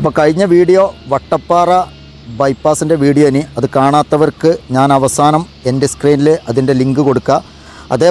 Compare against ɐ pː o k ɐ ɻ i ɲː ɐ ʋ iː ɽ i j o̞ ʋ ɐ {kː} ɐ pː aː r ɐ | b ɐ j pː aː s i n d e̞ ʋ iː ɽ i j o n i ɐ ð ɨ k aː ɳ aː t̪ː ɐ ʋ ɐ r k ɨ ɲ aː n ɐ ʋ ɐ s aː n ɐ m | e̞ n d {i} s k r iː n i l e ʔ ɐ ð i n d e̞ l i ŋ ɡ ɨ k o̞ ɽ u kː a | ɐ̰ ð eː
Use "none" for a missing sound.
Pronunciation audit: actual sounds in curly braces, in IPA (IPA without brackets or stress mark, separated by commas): ʈː, e